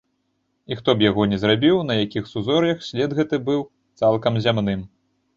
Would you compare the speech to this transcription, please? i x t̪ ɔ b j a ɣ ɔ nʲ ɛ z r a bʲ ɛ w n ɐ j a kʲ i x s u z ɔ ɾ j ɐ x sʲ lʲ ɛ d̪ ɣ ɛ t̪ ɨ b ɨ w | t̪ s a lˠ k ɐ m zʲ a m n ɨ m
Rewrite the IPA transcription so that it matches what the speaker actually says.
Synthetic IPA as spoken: i x t̪ ɔ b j a ɣ ɔ nʲ ɛ z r a bʲ i w n ɐ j a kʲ i x s u z ɔ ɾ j ɐ x sʲ lʲ ɛ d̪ ɣ ɛ t̪ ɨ b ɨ w | t̪ s a lˠ k ɐ m zʲ a m n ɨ m

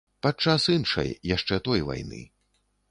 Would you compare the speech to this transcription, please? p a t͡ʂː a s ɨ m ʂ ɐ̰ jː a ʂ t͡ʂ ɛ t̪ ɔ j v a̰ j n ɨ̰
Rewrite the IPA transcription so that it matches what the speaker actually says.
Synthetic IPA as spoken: p a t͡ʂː a s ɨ n ʂ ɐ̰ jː a ʂ t͡ʂ ɛ t̪ ɔ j v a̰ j n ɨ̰

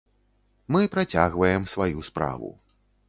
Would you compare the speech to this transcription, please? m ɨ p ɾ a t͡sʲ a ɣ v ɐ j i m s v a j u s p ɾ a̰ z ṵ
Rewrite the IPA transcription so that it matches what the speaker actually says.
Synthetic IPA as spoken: m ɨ p ɾ a t͡sʲ a ɣ v ɐ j ɛ m s v a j u s p ɾ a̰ v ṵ

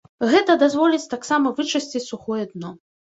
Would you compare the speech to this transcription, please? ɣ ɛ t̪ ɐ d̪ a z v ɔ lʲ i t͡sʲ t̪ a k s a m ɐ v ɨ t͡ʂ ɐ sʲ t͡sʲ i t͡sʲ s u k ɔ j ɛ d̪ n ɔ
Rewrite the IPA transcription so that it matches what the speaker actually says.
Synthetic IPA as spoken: ɣ ɛ t̪ ɐ d̪ a z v ɔ lʲ i t͡sʲ t̪ a k s a m ɐ v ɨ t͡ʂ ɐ sʲ t͡sʲ i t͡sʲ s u x ɔ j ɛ d̪ n ɔ

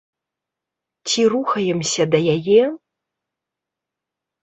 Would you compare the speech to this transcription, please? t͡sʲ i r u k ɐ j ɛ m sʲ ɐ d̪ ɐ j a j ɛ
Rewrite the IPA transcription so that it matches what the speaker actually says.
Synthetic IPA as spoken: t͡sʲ i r u x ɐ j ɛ m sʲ ɐ d̪ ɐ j a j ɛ

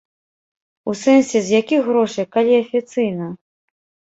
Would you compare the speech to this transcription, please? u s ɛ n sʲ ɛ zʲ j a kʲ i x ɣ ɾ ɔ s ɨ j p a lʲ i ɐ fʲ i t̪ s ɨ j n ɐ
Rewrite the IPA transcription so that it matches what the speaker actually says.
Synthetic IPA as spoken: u s ɛ n sʲ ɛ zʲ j a kʲ i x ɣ ɾ ɔ ʂ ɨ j k a lʲ i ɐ fʲ i t̪ s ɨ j n ɐ

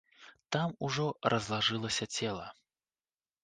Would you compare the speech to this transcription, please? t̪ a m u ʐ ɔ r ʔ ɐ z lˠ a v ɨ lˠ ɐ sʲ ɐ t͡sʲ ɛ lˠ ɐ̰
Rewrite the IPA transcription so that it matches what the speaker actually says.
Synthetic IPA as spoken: t̪ a m u ʐ ɔ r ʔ ɐ z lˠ a ʐ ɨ lˠ ɐ sʲ ɐ t͡sʲ ɛ lˠ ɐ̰

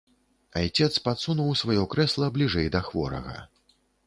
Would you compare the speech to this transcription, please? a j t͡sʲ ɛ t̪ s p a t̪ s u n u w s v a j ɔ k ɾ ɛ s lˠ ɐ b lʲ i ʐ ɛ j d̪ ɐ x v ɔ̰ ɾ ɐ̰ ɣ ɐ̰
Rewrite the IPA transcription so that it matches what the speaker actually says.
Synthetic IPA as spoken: a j t͡sʲ ɛ t̪ s p a t̪ s u n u w s v a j ɔ k ɾ ɛ s lˠ ɐ b lʲ i ʐ ɛ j d̪ ɐ x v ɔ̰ ɾ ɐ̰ ɣ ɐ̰

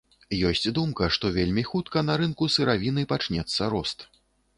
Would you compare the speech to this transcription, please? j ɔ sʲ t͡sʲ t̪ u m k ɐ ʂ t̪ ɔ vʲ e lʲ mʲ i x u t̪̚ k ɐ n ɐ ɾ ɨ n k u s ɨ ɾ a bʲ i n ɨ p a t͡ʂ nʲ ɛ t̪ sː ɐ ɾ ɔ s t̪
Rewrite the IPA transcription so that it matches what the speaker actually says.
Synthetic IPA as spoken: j ɔ sʲ t͡sʲ d̪ u m k ɐ ʂ t̪ ɔ vʲ e lʲ mʲ i x u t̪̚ k ɐ n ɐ ɾ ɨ n k u s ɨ ɾ a vʲ i n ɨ p a t͡ʂ nʲ ɛ t̪ sː ɐ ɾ ɔ s t̪

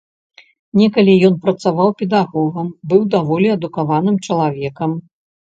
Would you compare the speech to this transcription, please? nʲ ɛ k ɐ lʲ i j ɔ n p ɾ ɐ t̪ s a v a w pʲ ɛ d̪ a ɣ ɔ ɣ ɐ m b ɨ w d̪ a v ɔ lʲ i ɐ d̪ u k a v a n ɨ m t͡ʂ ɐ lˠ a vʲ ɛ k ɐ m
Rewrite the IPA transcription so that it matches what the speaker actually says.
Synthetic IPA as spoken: nʲ ɛ k ɐ lʲ i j ɔ n p ɾ ɐ t̪ s a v a w pʲ ɛ d̪ a ɣ ɔ ɣ ɐ m b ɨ w d̪ a v ɔ lʲ i ɐ d̪ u k a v a n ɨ m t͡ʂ ɐ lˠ a vʲ ɛ k ɐ m

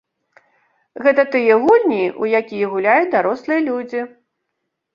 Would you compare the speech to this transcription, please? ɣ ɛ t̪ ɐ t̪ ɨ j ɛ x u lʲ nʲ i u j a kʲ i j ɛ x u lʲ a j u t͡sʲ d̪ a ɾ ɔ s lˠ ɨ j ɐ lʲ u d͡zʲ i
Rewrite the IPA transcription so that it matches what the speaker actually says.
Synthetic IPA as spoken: ɣ ɛ t̪ ɐ t̪ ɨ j ɛ ɣ u lʲ nʲ i u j a kʲ i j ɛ ɣ u lʲ a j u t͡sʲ d̪ a ɾ ɔ s lˠ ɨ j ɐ lʲ u d͡zʲ i

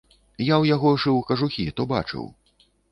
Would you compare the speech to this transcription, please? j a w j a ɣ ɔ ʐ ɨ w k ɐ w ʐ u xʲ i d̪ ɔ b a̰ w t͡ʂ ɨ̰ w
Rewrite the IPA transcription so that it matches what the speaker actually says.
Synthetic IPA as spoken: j a w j a ɣ ɔ ʐ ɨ w k ɐ ʐ u xʲ i t̪ ɔ b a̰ t͡ʂ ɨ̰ w

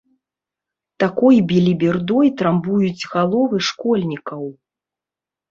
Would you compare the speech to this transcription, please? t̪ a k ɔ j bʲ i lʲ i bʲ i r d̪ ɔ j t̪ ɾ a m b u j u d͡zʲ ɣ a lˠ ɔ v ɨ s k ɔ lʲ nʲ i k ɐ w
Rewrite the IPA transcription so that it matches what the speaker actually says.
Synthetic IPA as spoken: t̪ a k ɔ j bʲ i lʲ i bʲ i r d̪ ɔ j t̪ ɾ a m b u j u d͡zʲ ɣ a lˠ ɔ v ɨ ʂ k ɔ lʲ nʲ i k ɐ w

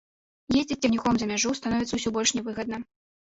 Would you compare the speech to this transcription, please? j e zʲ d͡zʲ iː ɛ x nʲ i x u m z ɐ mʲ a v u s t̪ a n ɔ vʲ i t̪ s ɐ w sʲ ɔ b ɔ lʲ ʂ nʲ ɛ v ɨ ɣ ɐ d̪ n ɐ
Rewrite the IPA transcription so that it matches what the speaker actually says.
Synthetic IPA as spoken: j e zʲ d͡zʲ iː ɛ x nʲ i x ɔ m z ɐ mʲ a ʐ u s t̪ a n ɔ vʲ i t̪ s ɐ w sʲ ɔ b ɔ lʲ ʂ nʲ ɛ v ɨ ɣ ɐ d̪ n ɐ

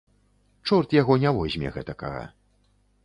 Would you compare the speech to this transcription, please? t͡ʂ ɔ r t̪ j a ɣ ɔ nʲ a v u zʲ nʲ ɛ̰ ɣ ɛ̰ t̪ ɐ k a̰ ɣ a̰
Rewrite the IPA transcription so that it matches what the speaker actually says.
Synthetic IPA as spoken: t͡ʂ ɔ r t̪ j a ɣ ɔ nʲ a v ɔ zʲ mʲ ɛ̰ ɣ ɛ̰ t̪ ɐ k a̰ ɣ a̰

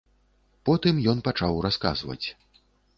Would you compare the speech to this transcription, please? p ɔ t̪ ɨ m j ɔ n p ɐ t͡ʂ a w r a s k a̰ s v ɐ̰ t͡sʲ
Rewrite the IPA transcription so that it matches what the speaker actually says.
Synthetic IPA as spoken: p ɔ t̪ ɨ m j ɔ n p a t͡ʂ a w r a s k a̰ z v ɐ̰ t͡sʲ

